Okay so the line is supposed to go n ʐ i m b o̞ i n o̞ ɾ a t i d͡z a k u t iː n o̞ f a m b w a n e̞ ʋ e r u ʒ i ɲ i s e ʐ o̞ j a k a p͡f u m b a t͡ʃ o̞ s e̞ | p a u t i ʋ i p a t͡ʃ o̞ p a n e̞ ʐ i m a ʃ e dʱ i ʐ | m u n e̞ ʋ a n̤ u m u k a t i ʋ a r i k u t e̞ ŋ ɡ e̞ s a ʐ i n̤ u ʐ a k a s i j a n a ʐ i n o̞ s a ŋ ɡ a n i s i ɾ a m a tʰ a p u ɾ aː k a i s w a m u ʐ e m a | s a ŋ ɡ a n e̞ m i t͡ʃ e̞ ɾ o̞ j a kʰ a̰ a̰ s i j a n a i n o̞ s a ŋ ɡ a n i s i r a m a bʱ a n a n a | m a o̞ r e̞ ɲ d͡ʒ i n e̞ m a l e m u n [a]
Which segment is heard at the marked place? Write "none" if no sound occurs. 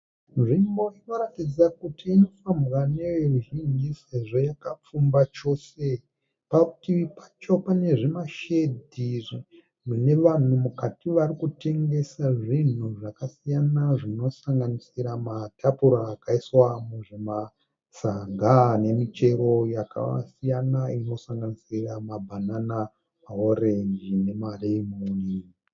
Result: i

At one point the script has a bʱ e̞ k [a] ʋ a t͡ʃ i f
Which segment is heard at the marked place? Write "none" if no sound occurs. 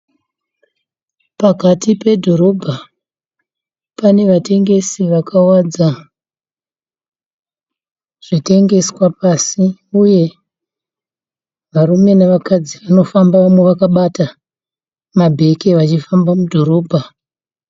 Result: e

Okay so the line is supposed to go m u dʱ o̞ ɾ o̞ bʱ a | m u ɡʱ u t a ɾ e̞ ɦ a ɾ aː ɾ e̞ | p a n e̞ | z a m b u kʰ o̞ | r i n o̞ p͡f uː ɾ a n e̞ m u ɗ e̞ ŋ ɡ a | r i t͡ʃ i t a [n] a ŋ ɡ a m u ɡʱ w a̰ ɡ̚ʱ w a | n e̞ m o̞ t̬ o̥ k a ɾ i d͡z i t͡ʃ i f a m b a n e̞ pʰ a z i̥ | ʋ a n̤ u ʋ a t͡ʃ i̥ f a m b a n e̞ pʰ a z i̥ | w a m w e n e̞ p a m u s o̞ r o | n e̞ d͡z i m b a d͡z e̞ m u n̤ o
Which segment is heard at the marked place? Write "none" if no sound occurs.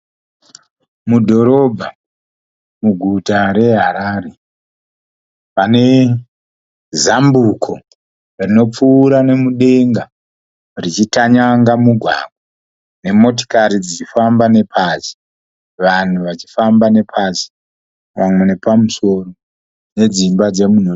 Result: ɲ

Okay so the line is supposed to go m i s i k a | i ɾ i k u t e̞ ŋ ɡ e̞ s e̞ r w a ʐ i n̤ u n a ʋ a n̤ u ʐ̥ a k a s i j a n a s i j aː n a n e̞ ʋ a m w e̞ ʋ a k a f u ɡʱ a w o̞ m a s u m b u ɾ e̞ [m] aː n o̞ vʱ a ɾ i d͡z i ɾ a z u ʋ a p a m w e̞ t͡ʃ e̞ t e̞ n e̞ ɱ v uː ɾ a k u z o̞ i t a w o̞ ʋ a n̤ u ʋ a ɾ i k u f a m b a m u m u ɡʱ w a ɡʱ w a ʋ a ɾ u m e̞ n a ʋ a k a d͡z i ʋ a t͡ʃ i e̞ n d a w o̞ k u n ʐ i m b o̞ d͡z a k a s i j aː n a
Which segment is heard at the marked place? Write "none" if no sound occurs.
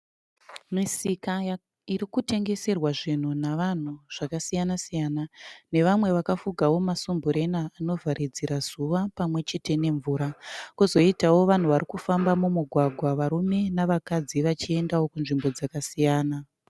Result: n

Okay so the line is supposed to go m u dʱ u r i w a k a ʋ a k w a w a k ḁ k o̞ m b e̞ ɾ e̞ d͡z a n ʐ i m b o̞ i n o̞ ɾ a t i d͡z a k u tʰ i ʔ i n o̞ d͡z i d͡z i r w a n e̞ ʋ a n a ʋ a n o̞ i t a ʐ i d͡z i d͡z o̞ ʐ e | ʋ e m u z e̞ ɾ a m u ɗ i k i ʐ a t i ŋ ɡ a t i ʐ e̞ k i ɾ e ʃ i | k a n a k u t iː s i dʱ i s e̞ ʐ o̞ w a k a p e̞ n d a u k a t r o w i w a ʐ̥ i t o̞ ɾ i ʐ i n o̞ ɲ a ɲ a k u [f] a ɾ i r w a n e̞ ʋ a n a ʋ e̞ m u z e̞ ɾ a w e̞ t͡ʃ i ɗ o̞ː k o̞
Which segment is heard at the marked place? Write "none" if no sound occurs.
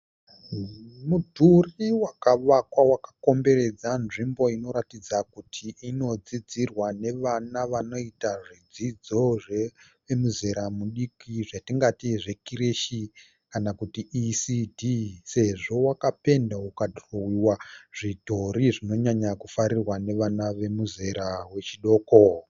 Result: f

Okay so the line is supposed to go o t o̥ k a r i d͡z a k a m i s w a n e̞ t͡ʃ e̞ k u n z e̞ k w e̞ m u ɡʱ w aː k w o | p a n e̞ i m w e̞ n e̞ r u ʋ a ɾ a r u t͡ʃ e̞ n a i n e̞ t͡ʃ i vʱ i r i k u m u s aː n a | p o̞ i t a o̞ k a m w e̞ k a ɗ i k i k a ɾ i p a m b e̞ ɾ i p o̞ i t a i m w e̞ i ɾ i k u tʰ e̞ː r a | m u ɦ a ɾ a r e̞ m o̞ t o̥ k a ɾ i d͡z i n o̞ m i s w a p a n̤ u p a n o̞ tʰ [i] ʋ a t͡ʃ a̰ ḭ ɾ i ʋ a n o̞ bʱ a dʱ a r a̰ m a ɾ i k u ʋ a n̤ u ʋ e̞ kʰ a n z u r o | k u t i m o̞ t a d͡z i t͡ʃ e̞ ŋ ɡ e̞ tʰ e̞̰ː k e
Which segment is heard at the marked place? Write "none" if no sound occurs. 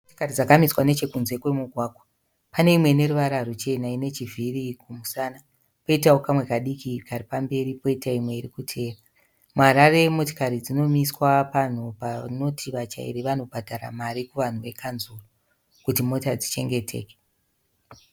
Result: i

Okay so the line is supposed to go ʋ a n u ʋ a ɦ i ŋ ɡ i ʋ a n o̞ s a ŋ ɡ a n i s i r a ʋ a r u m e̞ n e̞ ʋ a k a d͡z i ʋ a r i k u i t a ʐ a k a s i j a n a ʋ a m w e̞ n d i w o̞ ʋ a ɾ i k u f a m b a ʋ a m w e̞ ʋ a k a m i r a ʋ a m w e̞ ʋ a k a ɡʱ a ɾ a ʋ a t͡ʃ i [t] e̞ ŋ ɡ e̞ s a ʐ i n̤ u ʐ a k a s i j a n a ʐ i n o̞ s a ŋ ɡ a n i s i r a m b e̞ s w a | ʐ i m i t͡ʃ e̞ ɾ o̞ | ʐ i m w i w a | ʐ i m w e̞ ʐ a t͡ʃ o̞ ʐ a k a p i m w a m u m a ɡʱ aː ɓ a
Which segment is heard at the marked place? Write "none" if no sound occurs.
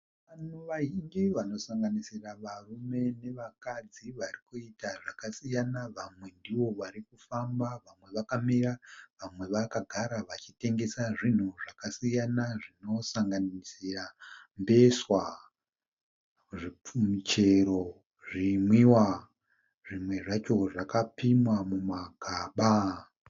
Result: t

